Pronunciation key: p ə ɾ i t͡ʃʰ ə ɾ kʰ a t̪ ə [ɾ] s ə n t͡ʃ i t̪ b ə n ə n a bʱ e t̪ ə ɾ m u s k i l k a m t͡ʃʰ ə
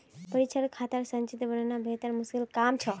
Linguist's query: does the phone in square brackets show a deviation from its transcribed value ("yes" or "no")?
no